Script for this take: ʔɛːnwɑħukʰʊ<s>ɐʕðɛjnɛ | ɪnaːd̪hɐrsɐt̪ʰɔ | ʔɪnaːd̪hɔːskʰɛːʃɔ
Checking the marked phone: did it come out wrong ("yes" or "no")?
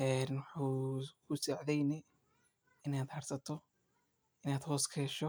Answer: no